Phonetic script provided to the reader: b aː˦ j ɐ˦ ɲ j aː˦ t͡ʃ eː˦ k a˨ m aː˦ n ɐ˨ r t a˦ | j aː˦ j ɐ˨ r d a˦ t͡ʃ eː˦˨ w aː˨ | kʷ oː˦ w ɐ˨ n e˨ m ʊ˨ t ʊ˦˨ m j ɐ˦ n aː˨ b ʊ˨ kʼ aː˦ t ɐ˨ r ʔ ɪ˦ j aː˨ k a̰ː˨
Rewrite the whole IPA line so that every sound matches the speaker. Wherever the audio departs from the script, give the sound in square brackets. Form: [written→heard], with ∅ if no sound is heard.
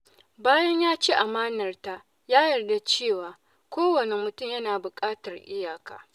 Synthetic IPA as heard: b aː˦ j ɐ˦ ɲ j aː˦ t͡ʃ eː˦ [k→ʔ] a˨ m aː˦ n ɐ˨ r t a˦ | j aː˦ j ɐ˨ r d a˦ t͡ʃ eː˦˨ w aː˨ | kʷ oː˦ w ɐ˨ n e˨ m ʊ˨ t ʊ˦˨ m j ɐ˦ n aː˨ b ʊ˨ kʼ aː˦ t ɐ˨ r ʔ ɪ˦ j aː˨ k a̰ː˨